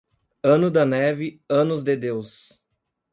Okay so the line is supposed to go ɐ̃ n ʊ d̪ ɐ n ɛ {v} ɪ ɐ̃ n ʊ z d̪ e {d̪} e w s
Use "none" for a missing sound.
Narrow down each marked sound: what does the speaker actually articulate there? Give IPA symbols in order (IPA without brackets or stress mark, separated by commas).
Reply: v, d̪